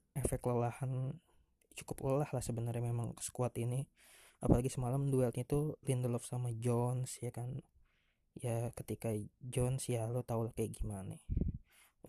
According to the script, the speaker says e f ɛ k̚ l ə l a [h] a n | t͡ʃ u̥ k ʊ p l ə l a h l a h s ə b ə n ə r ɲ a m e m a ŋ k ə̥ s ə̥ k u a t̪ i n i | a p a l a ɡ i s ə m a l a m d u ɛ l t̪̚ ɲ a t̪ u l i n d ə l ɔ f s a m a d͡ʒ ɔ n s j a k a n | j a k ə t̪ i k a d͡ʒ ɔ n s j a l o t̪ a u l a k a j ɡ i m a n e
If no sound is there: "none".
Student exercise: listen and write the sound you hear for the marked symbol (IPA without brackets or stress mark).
h